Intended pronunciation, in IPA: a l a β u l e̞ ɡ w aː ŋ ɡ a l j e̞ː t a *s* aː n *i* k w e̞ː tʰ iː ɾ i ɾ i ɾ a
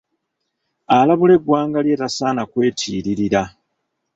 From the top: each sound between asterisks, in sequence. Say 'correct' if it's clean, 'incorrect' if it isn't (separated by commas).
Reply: correct, incorrect